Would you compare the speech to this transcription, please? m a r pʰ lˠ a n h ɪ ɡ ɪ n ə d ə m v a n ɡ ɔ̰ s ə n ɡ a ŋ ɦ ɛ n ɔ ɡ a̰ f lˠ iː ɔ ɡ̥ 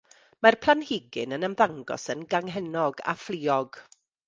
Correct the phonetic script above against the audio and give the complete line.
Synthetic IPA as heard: m a r pʰ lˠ a n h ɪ ɡ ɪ n ə n ə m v a ŋ ɡ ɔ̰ s ə n ɡ a ŋ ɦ ɛ n ɔ ɡ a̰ f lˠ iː ɔ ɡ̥